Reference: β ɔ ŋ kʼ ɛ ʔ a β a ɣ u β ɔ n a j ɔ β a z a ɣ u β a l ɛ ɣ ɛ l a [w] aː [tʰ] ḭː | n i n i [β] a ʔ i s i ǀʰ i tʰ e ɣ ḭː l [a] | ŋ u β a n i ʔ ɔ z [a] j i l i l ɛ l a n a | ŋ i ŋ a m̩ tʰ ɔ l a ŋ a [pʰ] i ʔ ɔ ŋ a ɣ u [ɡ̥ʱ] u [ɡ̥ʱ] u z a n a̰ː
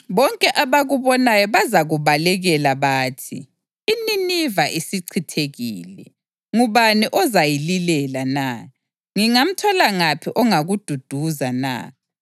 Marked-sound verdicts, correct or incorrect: incorrect, correct, incorrect, incorrect, correct, correct, incorrect, incorrect

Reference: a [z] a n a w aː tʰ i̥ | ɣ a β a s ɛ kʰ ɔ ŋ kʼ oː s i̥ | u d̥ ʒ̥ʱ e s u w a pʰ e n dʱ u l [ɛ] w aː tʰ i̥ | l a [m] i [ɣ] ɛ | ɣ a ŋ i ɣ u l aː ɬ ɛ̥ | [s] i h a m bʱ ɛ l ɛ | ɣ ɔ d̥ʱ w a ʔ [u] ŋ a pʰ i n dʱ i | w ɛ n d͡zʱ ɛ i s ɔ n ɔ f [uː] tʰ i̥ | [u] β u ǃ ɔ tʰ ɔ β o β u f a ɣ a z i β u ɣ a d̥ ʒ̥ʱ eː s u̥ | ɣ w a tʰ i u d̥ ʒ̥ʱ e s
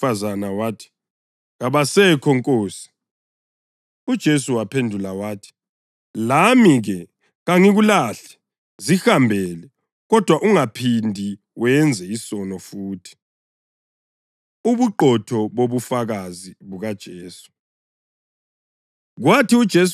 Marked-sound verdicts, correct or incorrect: correct, incorrect, correct, correct, incorrect, correct, correct, correct

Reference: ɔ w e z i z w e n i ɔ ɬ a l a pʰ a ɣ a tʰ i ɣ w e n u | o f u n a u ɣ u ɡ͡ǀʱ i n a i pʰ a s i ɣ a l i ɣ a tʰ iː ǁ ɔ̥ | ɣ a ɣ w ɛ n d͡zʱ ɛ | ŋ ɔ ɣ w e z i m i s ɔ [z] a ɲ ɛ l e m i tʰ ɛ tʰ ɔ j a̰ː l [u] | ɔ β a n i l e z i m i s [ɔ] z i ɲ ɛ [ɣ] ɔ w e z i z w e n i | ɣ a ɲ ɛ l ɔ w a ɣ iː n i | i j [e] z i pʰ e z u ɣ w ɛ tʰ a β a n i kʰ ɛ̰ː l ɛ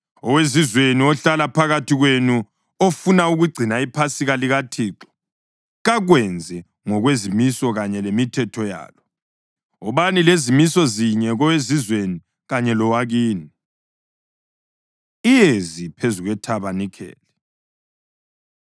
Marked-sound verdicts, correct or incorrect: incorrect, incorrect, correct, correct, correct

